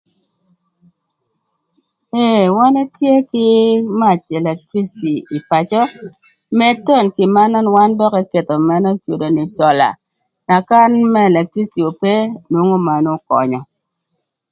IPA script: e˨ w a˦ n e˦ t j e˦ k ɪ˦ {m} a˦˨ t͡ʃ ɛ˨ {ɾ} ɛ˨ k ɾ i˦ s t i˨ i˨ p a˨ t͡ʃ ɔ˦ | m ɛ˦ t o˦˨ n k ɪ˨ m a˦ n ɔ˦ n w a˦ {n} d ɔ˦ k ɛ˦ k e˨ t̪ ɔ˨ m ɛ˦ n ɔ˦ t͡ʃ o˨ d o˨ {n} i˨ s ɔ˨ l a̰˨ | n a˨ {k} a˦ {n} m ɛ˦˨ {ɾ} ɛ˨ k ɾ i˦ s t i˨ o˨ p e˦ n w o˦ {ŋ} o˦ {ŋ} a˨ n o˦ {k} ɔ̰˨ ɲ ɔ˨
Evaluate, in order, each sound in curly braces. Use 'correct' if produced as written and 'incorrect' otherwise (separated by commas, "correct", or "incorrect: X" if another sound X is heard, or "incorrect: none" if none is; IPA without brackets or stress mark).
correct, incorrect: l, correct, correct, correct, correct, incorrect: l, correct, incorrect: m, correct